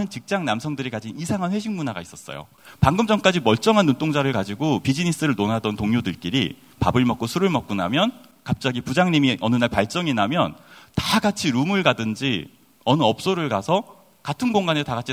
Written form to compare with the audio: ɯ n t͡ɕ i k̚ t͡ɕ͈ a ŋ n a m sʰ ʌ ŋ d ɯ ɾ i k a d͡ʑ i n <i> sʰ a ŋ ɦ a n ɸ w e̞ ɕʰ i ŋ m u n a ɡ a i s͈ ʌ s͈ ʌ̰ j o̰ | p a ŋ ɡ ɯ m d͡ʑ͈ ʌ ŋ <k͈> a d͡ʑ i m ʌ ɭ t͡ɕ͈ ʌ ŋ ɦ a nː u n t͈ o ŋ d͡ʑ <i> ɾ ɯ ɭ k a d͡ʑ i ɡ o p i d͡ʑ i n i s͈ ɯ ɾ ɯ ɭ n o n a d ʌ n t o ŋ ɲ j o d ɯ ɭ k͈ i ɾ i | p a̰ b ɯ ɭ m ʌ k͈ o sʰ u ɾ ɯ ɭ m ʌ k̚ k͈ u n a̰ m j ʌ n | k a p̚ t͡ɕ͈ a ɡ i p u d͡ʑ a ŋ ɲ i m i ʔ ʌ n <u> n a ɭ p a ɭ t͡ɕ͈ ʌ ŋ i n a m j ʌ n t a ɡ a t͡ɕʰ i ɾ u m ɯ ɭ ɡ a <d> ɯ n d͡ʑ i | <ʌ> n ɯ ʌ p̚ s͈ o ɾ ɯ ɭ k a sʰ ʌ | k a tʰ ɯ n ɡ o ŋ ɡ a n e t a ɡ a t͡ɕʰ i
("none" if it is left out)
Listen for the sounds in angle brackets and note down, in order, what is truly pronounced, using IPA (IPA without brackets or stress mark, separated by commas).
i, k͈, a, ɯ, d, ʌ